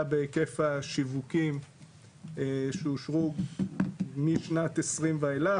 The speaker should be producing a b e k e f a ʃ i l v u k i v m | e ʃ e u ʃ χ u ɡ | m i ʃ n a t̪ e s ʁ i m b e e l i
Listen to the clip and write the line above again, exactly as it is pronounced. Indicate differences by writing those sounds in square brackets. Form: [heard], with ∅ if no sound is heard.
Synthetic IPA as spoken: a b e k e f a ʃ i [∅] v u k i [∅] m | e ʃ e u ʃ [ʁ] u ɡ | m i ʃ n a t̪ e s ʁ i m [v] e e l [a]